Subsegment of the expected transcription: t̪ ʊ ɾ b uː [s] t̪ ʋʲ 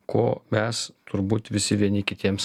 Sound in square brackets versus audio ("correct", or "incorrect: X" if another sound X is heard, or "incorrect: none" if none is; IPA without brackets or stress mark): incorrect: none